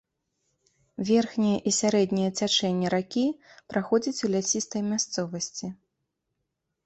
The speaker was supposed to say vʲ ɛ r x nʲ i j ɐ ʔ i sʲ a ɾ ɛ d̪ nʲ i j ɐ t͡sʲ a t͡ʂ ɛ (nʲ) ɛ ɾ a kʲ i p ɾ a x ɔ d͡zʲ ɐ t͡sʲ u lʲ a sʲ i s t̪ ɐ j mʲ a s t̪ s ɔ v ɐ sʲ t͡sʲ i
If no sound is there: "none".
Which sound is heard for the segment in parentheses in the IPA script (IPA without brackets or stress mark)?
nʲː